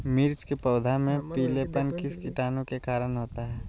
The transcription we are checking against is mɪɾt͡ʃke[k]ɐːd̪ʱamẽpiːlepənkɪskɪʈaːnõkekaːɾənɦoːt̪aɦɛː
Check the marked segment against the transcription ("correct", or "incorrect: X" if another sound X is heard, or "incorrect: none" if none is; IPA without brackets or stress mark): incorrect: p